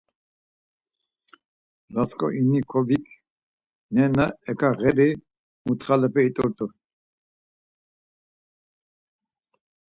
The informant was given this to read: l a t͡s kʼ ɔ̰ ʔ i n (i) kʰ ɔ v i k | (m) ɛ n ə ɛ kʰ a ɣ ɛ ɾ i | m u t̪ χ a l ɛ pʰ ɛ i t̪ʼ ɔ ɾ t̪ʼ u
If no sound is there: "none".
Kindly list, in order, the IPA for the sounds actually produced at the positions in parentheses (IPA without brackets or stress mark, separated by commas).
i, n